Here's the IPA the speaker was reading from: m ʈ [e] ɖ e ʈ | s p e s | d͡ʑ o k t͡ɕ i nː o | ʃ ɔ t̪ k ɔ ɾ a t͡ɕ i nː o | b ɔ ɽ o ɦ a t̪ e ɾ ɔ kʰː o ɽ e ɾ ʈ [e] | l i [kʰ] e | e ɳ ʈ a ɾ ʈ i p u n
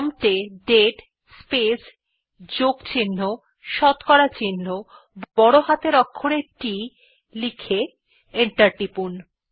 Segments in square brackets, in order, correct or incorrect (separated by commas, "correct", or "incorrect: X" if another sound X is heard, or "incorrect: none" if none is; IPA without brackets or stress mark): correct, incorrect: i, correct